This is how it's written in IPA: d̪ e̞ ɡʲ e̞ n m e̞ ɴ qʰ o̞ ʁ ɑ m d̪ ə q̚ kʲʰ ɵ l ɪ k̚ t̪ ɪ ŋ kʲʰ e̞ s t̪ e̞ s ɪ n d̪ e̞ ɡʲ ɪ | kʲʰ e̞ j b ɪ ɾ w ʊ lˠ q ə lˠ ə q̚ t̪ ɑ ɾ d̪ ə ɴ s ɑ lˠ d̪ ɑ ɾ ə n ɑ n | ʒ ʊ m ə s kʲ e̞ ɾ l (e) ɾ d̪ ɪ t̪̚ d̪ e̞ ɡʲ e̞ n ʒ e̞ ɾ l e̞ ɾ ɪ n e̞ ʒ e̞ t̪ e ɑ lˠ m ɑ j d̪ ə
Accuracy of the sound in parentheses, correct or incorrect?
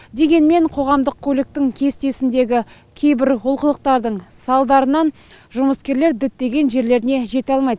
correct